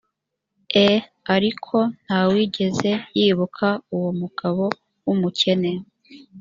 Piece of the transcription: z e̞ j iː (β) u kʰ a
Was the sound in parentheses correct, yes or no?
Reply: yes